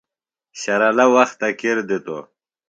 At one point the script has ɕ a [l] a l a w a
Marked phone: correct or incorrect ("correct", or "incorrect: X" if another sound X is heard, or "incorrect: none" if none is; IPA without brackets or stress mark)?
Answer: incorrect: ɾ